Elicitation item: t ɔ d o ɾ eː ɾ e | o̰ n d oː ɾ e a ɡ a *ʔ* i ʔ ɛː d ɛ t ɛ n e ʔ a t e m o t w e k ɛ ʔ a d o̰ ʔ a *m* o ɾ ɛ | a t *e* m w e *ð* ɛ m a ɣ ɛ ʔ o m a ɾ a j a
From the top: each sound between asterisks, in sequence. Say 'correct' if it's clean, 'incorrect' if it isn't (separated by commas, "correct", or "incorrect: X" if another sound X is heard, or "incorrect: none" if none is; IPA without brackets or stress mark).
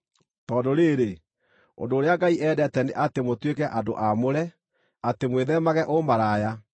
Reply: incorrect: none, correct, correct, correct